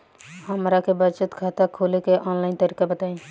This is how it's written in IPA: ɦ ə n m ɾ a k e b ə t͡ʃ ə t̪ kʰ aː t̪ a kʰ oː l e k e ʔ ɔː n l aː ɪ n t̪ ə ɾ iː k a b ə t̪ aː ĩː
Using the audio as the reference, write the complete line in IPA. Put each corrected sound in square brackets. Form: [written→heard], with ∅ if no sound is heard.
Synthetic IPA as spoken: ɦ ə [n→∅] m ɾ a k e b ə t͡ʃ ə t̪ kʰ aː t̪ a kʰ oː l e k e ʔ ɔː n l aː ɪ n t̪ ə ɾ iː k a b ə t̪ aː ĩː